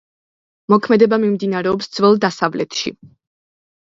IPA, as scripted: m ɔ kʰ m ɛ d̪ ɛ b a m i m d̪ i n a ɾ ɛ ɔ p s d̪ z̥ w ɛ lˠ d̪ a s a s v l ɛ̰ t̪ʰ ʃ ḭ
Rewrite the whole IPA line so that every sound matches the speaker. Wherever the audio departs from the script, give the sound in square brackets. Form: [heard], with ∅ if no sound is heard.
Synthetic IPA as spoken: m ɔ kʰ m ɛ d̪ ɛ b a m i m d̪ i n a ɾ ɛ ɔ p s d̪ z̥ [v] ɛ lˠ d̪ a s a [∅] v l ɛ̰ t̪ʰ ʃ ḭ

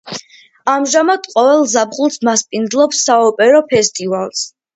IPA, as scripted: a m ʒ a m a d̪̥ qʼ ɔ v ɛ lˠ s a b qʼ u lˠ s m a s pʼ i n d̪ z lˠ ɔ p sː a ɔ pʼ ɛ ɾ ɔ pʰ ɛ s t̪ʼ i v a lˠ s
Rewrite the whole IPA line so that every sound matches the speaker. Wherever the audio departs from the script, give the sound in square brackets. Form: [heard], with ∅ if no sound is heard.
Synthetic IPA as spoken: a m ʒ a m a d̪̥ qʼ ɔ v ɛ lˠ [z] a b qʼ u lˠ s m a s pʼ i n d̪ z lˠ ɔ p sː a ɔ pʼ ɛ ɾ ɔ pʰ ɛ s t̪ʼ i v a lˠ s

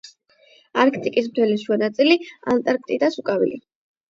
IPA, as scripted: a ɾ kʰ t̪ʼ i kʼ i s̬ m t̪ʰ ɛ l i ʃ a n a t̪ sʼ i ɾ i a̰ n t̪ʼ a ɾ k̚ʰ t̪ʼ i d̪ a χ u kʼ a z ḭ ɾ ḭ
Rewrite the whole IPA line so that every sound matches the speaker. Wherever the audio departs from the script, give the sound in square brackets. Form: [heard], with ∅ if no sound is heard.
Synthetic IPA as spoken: a ɾ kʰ t̪ʼ i kʼ i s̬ m t̪ʰ ɛ l i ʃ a n a t̪ sʼ i [l] i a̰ n t̪ʼ a ɾ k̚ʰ t̪ʼ i d̪ a [s] u kʼ a [v] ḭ [l] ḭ

